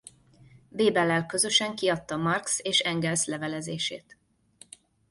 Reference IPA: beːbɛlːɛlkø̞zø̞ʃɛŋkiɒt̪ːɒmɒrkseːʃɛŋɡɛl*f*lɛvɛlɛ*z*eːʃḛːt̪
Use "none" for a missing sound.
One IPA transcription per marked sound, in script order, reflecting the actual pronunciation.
s, z

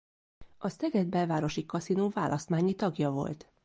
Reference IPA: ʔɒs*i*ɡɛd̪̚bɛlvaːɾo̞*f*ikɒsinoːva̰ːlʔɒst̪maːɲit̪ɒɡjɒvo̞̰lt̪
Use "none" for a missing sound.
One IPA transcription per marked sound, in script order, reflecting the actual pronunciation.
ɛ, ʃ

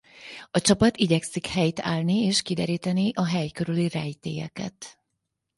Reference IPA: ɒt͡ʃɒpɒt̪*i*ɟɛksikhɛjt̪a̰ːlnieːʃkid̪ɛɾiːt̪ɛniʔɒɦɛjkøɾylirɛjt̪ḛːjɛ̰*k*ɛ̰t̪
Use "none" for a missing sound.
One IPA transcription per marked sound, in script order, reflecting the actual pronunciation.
i, k

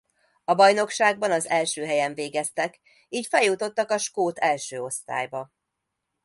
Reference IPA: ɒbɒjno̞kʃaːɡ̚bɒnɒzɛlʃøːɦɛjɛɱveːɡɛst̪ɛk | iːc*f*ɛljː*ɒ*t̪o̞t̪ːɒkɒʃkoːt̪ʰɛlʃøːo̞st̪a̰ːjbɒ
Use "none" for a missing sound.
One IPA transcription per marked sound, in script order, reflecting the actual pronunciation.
f, u

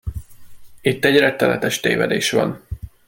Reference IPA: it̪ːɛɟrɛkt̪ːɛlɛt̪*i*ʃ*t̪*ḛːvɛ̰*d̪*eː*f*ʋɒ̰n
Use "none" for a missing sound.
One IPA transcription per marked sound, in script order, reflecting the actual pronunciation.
ɛ, t̪, d̪, ʃ

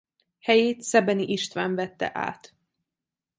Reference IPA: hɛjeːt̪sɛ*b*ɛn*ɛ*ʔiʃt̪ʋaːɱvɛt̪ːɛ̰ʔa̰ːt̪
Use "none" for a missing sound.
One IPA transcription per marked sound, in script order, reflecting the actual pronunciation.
b, i

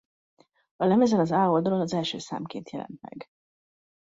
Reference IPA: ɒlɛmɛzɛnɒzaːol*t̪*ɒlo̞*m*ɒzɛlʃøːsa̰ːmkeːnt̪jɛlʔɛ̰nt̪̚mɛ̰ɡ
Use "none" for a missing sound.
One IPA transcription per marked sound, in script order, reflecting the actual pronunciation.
d̪, n

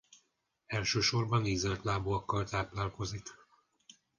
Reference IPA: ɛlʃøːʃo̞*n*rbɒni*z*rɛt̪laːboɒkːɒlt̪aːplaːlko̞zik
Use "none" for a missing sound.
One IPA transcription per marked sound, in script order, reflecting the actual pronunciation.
none, z

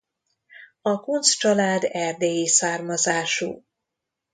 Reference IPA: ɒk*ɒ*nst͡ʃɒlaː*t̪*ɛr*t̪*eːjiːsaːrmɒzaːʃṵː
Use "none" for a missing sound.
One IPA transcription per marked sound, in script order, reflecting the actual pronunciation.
u, d̪, d̪

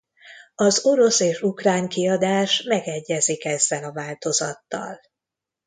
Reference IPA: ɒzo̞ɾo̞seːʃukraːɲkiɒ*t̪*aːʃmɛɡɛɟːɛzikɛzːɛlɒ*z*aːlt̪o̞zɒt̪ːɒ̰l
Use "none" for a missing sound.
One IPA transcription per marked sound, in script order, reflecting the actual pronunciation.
d̪, v

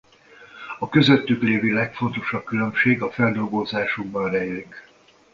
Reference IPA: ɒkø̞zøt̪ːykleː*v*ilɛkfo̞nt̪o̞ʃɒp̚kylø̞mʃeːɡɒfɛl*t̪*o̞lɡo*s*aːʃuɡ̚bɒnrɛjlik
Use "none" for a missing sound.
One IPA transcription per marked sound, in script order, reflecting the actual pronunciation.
v, d̪, z

